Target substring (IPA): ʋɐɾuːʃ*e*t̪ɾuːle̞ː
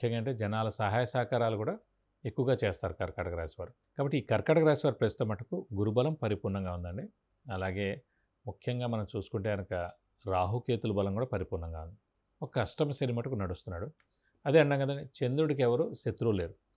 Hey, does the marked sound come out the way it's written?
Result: yes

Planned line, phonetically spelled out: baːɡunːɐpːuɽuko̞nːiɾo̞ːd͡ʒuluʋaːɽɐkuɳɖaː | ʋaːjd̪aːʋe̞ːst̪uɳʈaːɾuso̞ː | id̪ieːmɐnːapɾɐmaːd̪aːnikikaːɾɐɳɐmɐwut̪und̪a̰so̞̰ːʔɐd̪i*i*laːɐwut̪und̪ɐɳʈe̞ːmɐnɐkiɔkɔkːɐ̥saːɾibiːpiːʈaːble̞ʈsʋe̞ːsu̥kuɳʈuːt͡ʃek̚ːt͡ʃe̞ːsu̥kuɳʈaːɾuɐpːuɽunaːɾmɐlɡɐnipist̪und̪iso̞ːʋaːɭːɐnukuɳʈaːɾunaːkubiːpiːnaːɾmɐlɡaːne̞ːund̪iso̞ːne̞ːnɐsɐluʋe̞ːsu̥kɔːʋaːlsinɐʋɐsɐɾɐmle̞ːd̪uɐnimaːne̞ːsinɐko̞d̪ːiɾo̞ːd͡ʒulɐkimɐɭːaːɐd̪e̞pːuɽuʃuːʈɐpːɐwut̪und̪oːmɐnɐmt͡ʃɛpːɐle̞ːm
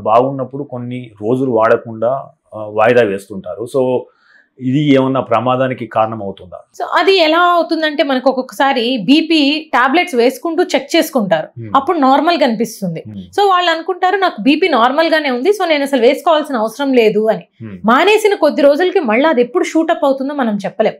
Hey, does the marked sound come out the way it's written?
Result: no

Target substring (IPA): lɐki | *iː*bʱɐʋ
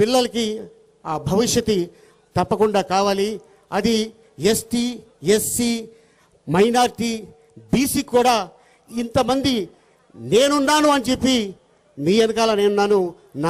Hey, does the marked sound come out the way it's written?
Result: no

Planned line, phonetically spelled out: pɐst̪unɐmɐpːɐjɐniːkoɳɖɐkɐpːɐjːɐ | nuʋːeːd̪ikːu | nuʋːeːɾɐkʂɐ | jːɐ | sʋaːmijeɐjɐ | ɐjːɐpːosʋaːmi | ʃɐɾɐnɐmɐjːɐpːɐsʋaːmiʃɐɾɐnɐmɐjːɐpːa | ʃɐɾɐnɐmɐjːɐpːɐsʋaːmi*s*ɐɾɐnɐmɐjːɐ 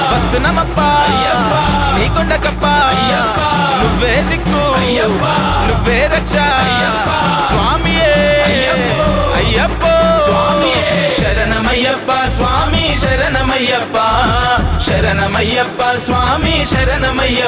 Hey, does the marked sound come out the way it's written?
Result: no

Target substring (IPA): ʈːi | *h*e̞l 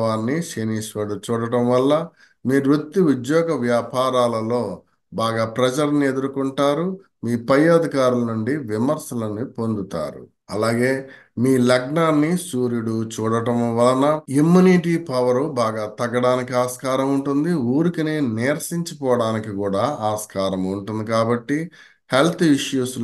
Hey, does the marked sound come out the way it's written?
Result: yes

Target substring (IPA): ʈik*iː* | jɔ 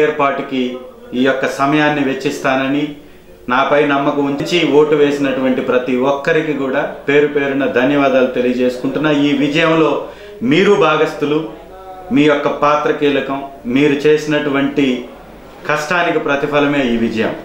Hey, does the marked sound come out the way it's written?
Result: yes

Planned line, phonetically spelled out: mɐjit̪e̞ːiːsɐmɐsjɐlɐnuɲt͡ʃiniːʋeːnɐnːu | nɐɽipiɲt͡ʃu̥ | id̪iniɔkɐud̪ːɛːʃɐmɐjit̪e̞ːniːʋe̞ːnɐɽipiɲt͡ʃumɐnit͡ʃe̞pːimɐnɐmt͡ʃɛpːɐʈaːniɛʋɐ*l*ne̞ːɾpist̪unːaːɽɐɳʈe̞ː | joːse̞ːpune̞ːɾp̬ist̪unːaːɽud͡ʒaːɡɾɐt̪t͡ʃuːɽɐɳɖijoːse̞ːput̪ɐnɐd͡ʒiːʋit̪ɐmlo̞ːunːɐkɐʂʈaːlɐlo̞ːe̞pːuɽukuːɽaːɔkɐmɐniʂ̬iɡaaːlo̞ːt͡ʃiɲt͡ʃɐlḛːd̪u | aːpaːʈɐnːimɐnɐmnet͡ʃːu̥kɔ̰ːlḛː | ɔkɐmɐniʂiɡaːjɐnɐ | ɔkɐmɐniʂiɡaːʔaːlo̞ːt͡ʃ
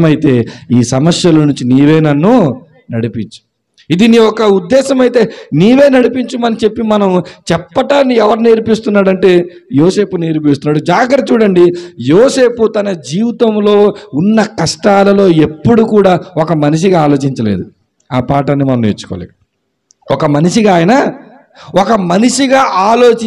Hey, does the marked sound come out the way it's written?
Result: no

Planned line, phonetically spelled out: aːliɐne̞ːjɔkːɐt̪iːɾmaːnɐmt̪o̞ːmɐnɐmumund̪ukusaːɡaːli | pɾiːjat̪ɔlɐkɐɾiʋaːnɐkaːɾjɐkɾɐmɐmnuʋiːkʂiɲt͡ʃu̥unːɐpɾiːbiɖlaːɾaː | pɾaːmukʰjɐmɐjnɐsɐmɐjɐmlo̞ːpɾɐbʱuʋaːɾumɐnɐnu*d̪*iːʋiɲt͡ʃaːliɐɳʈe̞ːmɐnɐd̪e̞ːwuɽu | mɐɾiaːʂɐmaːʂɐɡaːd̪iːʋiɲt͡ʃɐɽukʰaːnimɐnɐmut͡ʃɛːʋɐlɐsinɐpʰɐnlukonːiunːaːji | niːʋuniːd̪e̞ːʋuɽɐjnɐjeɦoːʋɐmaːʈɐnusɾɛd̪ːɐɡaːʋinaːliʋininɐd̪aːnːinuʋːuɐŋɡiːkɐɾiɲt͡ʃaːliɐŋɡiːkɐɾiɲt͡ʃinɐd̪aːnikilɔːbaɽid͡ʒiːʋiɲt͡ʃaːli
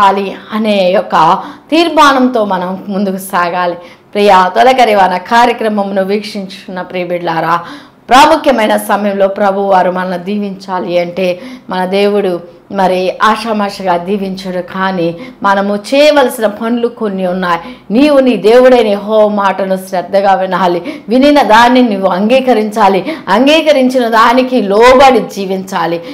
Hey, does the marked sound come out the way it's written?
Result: yes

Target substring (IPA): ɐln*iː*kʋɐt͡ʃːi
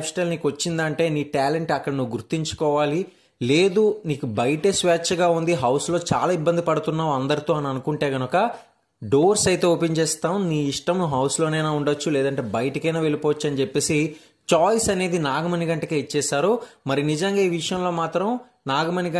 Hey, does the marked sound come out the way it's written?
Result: yes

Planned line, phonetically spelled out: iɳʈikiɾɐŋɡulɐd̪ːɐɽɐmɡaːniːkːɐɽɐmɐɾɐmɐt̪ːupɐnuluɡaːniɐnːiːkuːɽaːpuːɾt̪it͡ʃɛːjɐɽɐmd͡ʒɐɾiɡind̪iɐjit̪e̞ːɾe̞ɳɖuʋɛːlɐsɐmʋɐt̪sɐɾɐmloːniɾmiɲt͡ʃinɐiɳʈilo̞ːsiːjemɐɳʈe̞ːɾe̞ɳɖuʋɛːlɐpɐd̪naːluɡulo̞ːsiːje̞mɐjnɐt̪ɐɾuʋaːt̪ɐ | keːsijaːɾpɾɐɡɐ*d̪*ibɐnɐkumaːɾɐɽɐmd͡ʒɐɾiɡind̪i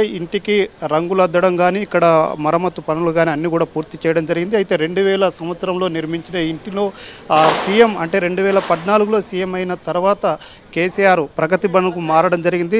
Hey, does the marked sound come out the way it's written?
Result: no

